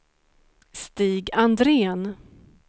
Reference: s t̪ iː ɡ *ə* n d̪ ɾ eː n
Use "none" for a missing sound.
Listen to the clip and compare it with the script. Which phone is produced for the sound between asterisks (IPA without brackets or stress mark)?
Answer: a